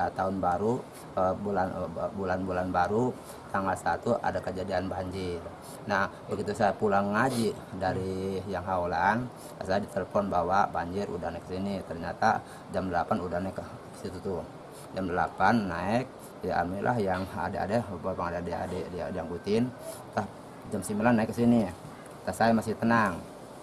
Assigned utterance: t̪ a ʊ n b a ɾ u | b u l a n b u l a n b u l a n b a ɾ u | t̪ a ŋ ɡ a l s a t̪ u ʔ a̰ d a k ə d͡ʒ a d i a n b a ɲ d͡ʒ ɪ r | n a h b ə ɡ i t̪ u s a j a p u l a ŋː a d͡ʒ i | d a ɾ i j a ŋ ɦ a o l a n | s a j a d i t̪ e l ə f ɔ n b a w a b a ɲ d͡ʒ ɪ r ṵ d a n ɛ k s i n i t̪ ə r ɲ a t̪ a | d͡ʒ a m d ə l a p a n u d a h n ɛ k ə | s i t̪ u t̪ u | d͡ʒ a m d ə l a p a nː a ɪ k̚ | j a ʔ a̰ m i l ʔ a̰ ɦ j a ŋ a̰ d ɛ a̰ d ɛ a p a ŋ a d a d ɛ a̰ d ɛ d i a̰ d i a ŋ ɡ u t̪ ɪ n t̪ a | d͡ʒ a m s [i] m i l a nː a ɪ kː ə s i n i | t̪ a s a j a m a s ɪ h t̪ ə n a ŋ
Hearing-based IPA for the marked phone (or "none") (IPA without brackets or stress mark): i